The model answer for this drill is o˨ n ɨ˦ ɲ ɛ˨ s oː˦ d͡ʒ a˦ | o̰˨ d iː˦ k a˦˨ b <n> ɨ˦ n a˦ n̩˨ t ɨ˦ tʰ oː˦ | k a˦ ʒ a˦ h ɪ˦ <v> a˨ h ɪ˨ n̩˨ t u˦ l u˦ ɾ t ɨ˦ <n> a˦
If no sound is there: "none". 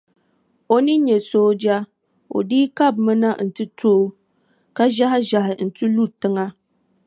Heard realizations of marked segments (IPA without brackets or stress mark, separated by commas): m, ʒ, ŋ